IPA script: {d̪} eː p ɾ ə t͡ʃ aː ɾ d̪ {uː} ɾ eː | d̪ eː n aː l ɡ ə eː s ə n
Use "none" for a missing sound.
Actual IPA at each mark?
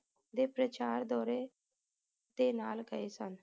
d̪, ɔː

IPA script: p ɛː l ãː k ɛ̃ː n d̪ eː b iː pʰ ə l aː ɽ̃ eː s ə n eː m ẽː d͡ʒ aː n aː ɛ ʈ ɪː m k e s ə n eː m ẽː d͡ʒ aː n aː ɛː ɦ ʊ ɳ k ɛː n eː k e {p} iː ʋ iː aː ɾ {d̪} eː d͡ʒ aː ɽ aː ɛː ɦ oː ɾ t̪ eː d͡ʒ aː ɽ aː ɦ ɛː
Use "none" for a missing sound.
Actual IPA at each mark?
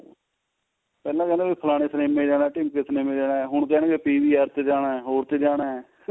p, t̪

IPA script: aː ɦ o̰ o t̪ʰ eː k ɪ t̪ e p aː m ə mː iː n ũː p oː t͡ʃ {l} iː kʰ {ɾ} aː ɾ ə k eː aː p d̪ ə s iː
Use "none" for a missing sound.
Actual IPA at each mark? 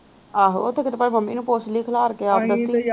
l, l

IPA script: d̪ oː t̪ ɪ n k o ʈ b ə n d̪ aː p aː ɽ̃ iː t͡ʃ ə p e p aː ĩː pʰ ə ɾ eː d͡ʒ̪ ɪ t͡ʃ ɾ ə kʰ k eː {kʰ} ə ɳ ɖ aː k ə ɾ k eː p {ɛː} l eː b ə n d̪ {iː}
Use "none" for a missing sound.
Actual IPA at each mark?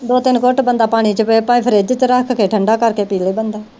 ʈʰ, iː, aː

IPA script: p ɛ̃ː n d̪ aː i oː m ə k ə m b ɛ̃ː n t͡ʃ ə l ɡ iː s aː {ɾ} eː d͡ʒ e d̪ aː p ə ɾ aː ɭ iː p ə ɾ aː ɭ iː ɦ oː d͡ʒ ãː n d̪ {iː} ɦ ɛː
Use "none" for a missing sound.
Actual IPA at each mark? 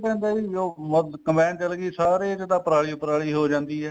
ɾ, iː

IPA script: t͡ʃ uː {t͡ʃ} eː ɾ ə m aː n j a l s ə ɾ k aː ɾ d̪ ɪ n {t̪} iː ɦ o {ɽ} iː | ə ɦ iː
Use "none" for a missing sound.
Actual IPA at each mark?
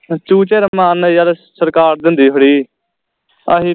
t͡ʃ, d̪, ɽ

